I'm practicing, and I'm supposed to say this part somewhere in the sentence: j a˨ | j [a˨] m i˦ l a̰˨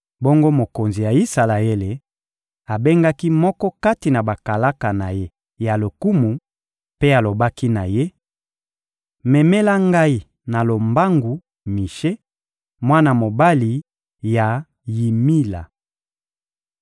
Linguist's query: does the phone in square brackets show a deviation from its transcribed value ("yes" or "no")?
yes